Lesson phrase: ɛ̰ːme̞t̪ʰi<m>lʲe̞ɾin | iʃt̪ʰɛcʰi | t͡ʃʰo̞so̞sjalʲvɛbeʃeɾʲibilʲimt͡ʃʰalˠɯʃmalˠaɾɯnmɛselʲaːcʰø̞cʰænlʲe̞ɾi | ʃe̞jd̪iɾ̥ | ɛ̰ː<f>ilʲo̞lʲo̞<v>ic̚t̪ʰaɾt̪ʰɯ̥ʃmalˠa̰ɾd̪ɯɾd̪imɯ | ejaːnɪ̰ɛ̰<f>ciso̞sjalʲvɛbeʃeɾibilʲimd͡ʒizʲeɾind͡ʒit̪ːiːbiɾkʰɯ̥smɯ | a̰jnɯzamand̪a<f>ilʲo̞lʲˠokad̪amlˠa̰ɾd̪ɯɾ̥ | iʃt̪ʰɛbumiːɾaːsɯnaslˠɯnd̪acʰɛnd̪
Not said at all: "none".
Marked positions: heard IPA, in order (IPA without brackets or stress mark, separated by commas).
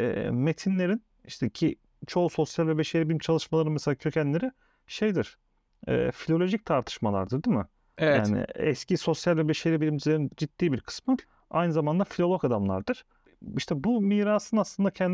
n, f, ʒ, s, f